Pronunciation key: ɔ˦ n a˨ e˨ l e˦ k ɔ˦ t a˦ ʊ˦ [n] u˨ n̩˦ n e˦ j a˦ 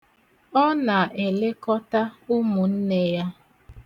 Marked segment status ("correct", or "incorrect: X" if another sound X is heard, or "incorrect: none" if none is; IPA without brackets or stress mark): incorrect: m